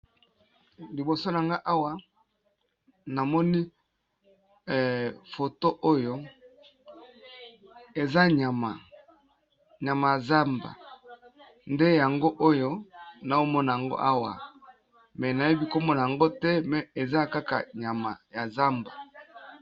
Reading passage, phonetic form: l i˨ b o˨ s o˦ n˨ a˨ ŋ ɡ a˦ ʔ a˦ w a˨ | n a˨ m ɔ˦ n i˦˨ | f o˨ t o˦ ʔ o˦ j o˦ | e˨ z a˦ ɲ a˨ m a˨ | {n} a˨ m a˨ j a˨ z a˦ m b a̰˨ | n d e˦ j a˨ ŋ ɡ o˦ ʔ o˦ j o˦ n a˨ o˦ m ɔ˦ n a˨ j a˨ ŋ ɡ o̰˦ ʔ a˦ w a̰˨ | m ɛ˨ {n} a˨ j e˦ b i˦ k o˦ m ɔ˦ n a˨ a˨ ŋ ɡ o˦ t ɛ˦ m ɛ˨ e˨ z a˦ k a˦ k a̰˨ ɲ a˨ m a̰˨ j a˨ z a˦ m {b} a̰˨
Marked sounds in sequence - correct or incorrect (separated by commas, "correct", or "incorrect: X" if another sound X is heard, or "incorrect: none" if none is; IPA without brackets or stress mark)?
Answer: incorrect: ɲ, correct, correct